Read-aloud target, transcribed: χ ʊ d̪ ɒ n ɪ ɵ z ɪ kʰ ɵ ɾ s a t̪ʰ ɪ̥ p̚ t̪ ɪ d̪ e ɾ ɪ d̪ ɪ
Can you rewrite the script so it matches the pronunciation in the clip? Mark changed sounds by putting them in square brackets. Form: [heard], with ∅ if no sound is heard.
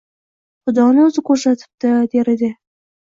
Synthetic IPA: χ ʊ d̪ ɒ n ɪ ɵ z ɪ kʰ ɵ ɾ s a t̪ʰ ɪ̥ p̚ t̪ ɪ d̪ e ɾ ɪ d̪ ɪ